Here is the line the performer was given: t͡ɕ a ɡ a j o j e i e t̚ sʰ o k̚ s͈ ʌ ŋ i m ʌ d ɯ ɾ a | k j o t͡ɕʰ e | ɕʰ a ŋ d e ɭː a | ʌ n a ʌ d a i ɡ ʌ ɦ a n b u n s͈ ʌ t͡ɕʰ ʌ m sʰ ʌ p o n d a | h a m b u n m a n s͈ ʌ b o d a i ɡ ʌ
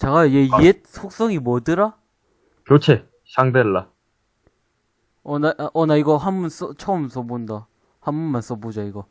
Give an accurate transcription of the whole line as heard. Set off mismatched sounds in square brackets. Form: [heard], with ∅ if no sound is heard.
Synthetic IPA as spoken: t͡ɕ a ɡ a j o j e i e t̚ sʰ o k̚ s͈ ʌ ŋ i m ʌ d ɯ ɾ a | k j o t͡ɕʰ e | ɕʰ a ŋ d e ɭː a | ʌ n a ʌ [n] a i ɡ ʌ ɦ a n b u n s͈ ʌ t͡ɕʰ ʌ m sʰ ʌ [b] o n d a | h a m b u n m a n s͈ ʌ b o [d͡ʑ] a i ɡ ʌ